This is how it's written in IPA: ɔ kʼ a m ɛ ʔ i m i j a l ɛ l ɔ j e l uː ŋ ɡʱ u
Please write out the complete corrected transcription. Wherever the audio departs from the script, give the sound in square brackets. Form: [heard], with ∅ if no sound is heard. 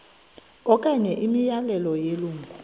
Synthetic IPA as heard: ɔ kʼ a [ɲ] ɛ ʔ i m i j a l ɛ l ɔ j e l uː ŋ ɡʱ u

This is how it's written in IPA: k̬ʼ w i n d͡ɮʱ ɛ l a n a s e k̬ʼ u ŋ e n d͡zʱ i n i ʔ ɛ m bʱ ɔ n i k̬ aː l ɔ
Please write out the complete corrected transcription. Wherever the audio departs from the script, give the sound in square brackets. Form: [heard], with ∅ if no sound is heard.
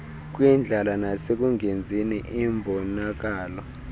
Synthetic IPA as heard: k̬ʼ w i n d͡ɮʱ [a] l a n a s e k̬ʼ u ŋ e n d͡zʱ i n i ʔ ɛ m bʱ ɔ n [a] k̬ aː l ɔ

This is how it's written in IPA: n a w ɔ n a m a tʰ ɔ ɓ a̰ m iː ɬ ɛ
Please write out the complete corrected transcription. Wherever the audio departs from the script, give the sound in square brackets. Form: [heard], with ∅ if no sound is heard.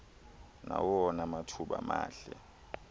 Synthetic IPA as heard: n a w ɔ n a m a tʰ [u] ɓ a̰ m [aː] ɬ ɛ

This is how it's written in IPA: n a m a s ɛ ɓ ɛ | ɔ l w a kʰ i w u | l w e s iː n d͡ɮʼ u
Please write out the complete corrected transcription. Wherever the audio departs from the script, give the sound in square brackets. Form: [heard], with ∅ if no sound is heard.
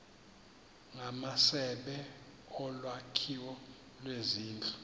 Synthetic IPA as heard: [ŋ] a m a s ɛ ɓ ɛ | ɔ l w a kʰ i w [ɔ] | l w e [z] iː n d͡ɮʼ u

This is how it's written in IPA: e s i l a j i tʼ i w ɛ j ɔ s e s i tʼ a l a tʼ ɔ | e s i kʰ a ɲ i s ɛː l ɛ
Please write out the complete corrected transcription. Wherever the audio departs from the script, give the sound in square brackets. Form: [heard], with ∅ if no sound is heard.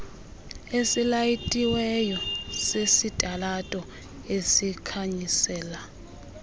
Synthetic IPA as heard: e s i l a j i tʼ i w ɛ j ɔ s e s i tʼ a l a tʼ ɔ | e s i kʰ a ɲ i s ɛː l [a]

